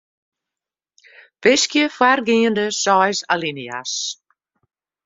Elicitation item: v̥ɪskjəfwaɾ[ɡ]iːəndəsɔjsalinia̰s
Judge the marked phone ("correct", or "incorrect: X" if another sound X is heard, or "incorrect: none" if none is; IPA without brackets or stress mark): correct